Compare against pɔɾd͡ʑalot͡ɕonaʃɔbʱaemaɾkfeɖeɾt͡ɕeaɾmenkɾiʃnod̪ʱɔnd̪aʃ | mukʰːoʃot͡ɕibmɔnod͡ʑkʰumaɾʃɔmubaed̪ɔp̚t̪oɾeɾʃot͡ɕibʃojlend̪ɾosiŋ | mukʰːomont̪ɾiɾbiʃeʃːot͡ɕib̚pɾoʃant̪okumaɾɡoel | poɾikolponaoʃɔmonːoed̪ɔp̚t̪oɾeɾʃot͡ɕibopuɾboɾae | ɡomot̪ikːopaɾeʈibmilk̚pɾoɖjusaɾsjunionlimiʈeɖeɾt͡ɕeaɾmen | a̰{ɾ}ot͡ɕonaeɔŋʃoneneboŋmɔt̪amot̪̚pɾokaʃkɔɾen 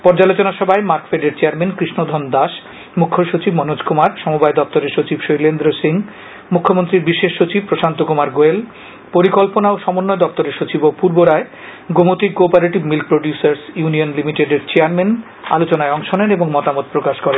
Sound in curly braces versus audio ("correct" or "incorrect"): incorrect